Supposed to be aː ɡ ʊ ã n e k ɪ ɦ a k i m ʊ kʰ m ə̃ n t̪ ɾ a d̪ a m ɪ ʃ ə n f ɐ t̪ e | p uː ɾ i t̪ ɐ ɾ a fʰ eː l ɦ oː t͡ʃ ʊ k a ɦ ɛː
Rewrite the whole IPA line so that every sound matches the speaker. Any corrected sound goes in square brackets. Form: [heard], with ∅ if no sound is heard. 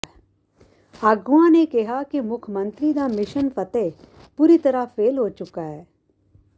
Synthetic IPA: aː ɡ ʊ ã n e k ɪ ɦ a k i m ʊ kʰ m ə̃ n t̪ ɾ [i] d̪ a m ɪ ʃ ə n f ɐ t̪ e | p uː ɾ i t̪ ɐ ɾ a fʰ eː l ɦ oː t͡ʃ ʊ k a ɦ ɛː